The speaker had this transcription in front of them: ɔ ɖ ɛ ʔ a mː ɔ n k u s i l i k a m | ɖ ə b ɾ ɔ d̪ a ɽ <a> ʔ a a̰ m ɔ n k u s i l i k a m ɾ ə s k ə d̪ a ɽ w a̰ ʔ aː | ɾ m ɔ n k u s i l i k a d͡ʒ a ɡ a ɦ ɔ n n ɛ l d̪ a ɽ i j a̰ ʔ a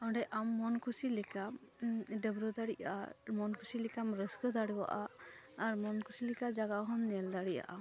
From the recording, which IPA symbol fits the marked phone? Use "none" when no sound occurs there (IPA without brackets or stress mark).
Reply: i